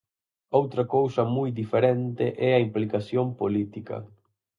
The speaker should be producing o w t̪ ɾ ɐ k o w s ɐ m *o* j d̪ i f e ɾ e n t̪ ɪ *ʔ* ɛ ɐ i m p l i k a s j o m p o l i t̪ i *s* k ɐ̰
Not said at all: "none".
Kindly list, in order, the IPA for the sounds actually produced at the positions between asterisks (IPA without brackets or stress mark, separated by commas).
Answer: u, ʔ, none